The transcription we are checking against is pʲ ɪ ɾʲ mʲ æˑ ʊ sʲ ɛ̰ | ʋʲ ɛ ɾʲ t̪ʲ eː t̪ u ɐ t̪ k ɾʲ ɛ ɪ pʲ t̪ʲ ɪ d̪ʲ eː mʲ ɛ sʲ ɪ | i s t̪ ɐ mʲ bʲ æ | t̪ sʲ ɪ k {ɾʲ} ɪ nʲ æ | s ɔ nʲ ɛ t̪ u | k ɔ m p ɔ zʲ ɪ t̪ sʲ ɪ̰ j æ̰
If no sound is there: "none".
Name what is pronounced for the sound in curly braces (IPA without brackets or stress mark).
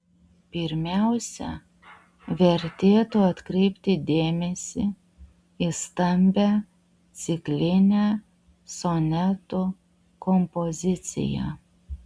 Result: lʲ